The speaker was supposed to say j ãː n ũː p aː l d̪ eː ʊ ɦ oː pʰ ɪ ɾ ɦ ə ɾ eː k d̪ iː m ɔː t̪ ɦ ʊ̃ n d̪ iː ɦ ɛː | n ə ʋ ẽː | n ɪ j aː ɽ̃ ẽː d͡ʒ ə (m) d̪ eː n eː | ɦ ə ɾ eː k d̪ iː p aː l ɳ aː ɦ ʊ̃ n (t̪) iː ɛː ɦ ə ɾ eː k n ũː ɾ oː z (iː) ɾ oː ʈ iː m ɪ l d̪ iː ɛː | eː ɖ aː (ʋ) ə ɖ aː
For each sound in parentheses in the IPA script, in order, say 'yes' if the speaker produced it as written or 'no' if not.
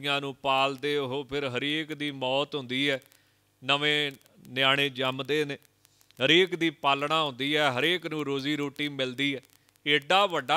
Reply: yes, no, yes, yes

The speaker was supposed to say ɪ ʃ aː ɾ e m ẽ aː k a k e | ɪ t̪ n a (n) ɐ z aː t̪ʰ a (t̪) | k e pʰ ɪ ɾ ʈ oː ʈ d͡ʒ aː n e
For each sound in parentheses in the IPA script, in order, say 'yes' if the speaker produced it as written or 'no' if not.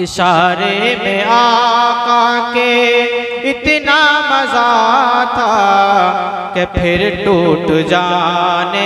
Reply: no, no

